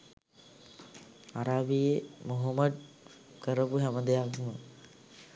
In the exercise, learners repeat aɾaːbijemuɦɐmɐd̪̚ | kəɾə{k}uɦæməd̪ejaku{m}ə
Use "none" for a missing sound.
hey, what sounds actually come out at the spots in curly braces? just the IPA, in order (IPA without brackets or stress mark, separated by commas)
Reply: p, m